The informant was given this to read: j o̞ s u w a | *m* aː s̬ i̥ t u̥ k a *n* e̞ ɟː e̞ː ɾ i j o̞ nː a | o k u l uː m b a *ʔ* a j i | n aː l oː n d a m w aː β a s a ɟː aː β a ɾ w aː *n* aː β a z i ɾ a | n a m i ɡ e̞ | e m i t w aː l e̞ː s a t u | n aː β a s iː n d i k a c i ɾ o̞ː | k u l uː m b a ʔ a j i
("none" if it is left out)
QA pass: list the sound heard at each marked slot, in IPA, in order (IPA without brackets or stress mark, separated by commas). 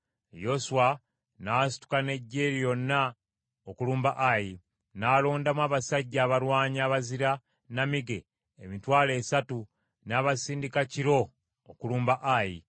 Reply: n, n, ʔ, ɲ